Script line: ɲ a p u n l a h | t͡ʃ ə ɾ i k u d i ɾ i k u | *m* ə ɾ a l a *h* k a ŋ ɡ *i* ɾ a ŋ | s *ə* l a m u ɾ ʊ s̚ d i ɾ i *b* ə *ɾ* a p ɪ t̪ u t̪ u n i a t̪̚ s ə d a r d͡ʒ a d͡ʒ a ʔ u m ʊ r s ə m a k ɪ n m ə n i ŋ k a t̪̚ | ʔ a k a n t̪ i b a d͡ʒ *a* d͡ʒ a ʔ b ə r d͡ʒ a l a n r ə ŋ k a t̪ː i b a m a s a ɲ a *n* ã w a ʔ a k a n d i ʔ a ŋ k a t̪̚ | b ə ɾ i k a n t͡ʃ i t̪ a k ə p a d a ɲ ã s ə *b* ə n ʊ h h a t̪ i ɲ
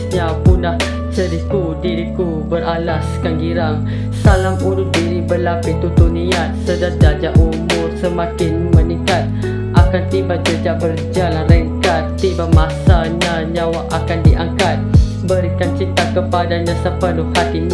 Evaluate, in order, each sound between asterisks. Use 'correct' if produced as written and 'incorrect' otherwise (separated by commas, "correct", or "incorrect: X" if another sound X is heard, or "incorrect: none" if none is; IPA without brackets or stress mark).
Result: incorrect: b, incorrect: s, correct, incorrect: a, correct, incorrect: l, incorrect: ə, incorrect: ɲ, incorrect: p